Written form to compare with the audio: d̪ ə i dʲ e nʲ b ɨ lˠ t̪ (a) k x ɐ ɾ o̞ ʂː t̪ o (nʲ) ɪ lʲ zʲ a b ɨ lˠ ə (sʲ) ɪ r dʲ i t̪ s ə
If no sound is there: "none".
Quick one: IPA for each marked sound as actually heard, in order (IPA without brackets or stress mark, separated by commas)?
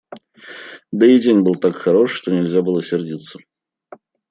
a, nʲ, sʲ